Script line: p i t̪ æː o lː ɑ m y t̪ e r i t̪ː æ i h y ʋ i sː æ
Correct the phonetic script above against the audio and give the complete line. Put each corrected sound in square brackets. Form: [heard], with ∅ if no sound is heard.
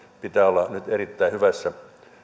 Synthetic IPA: p i t̪ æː o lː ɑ [n] y t̪ e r i t̪ː æ i h y ʋ [æ] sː æ